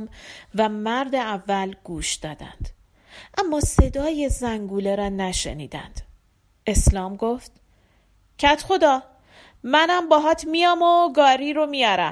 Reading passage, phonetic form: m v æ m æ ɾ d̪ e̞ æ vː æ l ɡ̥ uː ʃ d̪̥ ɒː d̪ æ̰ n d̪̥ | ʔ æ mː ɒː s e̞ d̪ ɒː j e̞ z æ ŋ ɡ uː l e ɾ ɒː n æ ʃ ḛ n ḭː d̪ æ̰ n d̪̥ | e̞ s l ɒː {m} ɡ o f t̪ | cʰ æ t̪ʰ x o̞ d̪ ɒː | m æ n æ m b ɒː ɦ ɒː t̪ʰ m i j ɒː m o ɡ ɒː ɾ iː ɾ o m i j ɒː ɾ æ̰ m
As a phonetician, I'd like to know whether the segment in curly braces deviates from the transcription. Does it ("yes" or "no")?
no